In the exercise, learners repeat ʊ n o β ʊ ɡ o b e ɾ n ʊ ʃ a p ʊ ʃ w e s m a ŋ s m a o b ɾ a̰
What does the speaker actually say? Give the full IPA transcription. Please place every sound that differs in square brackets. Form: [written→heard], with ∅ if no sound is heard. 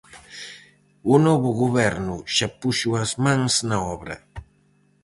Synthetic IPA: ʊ n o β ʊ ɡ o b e ɾ n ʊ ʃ a p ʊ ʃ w [e→a] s m a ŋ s [m→n] a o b ɾ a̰